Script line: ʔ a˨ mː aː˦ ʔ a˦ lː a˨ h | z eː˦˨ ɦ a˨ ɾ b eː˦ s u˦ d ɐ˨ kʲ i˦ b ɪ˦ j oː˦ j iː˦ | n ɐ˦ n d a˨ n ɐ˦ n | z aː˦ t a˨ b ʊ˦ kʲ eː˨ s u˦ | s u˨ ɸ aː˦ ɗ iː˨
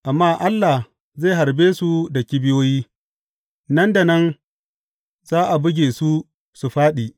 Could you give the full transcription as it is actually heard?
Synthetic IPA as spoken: ʔ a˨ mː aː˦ ʔ a˦ lː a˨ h | z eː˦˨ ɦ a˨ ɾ b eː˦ s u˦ d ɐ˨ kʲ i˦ b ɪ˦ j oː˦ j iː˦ | n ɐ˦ n d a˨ n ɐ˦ n | z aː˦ ʔ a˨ b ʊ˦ ɡʲ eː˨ s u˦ | s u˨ ɸ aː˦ ɗ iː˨

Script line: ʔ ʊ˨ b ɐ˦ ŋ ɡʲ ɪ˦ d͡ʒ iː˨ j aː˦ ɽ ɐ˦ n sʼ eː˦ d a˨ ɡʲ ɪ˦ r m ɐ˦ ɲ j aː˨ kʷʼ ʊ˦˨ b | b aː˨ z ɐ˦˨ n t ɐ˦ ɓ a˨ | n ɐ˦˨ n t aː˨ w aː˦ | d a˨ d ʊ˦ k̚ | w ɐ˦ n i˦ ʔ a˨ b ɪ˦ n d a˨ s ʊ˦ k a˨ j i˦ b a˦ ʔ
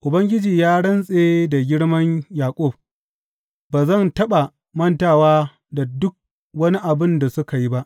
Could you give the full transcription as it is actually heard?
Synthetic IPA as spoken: ʔ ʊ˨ b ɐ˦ ŋ ɡʲ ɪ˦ d͡ʒ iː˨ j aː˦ ɽ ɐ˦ n sʼ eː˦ d a˨ ɡʲ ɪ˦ ɽ m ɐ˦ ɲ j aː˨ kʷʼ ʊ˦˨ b | b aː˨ z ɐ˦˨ n t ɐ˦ ɓ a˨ | m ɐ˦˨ n t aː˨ w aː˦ | d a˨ d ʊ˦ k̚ | w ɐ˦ n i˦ ʔ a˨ b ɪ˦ n d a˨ s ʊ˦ k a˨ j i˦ b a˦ ʔ

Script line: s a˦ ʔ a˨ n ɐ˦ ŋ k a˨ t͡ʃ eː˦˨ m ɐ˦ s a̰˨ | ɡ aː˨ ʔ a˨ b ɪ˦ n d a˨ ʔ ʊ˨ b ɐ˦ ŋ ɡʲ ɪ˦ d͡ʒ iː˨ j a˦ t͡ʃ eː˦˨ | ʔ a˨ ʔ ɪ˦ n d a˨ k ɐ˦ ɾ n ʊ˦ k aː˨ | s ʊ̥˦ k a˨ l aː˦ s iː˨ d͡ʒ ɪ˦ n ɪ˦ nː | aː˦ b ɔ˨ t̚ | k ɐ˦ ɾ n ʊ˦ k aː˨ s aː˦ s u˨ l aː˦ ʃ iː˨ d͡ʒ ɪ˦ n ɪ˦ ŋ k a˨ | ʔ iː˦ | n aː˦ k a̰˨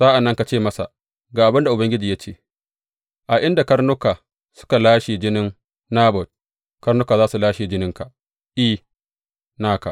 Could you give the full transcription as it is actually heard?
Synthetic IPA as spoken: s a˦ ʔ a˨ nː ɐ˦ ŋ k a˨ t͡ʃ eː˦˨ m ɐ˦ s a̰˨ | ɡ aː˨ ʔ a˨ b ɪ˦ n d a˨ ʔ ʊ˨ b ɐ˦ ŋ ɡʲ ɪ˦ d͡ʒ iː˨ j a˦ t͡ʃ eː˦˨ | ʔ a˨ ʔ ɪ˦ n d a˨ k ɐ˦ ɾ n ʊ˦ k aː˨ | s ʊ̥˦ k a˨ l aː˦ ʃ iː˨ d͡ʒ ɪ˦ n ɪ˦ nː | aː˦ b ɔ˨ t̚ | k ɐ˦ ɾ n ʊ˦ k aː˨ z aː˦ s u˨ l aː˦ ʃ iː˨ d͡ʒ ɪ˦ n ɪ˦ ŋ k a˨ | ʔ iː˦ | n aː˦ k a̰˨

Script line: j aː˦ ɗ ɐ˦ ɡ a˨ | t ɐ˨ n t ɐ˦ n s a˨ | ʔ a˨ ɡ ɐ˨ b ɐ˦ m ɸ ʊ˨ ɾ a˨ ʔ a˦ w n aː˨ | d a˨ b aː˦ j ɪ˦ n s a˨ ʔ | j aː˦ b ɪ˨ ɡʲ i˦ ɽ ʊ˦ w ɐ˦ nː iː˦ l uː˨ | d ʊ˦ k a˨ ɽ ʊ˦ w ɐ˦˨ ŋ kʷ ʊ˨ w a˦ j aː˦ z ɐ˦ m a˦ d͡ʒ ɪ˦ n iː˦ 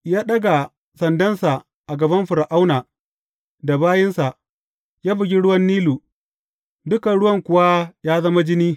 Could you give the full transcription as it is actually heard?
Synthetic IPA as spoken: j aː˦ ɗ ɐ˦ ɡ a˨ | s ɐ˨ n d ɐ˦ n s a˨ | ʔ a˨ ɡ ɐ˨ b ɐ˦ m ɸ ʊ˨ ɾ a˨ ʔ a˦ w n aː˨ | d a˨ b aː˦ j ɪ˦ n s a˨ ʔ | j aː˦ b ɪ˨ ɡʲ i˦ ɽ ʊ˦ w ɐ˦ nː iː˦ l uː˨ | d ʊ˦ k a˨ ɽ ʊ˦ w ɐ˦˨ ŋ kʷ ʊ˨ w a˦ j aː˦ z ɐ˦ m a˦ d͡ʒ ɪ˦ n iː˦

